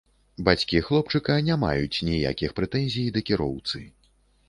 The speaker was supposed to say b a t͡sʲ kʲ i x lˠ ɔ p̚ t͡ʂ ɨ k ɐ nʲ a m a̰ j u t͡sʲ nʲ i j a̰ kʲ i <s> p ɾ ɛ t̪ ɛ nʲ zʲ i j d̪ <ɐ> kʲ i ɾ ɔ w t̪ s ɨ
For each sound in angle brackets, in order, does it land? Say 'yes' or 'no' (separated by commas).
no, yes